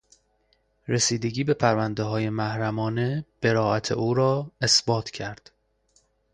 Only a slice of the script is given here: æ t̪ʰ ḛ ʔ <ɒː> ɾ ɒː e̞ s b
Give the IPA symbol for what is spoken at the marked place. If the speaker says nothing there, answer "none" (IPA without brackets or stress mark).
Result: uː